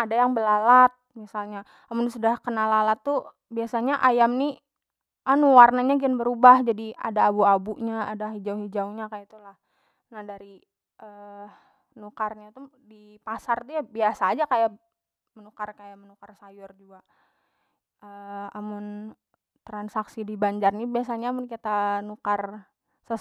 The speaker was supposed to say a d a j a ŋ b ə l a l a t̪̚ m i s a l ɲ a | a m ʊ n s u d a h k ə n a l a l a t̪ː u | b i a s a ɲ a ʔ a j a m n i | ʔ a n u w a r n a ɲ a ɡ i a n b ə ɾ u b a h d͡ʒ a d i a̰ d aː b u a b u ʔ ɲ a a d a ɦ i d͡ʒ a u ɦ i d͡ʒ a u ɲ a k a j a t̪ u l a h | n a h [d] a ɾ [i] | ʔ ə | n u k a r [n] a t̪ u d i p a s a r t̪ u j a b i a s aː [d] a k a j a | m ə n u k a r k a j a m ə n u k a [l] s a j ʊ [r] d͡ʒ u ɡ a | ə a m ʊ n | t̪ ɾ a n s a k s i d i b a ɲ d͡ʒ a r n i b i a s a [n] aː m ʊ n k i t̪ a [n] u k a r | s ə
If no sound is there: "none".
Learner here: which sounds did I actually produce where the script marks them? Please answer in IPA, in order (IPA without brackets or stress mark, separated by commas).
d, i, ɲ, d͡ʒ, r, r, ɲ, n